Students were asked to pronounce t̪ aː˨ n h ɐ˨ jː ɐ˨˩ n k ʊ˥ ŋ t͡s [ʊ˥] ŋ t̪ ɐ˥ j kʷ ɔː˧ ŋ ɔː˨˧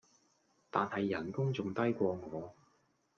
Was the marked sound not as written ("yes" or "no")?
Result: yes